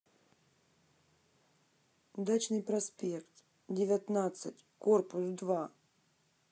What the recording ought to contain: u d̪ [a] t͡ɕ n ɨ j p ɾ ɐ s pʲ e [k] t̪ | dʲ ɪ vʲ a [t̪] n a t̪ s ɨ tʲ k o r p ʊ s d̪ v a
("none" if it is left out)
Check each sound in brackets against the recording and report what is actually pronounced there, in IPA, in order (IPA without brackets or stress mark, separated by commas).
a, k, t̪